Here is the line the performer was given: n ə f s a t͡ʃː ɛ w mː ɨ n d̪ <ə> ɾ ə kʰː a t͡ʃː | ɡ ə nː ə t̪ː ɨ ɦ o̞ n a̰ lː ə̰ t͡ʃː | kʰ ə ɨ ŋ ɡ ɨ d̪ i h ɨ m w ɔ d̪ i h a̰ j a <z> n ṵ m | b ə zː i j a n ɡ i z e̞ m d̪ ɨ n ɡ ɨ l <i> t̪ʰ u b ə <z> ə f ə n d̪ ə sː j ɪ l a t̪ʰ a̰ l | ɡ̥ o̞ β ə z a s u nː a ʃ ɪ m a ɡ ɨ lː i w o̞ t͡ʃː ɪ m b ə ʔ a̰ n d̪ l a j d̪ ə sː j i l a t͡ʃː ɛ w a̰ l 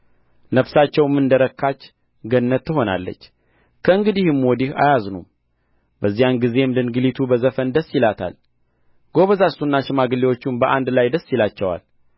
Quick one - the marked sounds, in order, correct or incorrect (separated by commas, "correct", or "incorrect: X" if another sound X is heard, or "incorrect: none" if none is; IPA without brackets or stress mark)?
correct, correct, correct, correct